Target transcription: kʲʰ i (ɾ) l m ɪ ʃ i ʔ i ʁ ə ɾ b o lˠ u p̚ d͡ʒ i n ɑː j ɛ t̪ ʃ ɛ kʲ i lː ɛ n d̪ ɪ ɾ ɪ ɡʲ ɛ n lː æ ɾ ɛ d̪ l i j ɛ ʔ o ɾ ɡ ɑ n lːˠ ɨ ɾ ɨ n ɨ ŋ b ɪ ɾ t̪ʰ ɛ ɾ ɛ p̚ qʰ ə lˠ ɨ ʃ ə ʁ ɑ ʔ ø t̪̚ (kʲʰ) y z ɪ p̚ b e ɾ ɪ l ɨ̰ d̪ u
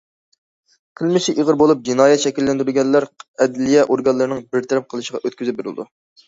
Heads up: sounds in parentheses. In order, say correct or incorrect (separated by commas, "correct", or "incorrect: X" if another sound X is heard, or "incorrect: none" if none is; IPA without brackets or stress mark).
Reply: incorrect: none, incorrect: kʲ